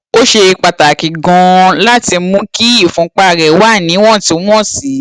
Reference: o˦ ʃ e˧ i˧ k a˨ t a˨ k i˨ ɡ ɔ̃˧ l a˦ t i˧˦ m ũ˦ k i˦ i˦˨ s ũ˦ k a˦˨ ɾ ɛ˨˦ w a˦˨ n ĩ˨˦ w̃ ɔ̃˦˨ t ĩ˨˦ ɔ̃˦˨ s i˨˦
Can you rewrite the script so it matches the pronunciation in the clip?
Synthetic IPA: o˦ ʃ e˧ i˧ k͡p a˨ t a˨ k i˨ ɡ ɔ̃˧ l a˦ t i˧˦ m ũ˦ k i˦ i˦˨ f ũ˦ k͡p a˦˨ ɾ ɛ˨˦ w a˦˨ n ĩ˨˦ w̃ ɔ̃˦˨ t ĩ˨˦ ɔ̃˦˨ s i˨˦